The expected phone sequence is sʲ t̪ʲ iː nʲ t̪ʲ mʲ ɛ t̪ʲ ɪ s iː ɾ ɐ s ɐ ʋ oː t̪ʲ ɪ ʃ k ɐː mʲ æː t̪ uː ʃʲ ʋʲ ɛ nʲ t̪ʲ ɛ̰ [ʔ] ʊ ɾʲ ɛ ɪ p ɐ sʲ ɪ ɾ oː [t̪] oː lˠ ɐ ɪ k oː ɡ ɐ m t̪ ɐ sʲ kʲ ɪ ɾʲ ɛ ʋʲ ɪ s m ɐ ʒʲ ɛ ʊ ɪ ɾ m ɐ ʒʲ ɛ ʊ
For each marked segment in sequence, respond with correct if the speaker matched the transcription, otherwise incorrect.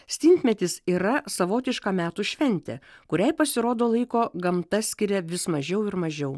incorrect: k, incorrect: d̪

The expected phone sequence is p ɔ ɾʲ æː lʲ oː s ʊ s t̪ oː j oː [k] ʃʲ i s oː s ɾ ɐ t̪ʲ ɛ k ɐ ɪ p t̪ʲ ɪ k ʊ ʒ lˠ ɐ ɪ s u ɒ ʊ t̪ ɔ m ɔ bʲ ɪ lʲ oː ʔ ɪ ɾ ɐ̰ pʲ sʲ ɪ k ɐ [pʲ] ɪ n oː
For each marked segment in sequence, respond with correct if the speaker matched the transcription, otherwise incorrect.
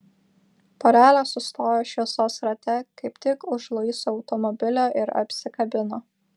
incorrect: none, incorrect: bʲ

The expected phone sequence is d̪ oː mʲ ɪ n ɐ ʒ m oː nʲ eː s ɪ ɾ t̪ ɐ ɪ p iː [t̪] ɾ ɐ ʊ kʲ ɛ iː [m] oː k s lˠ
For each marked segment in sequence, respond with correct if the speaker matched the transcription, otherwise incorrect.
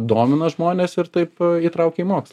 correct, correct

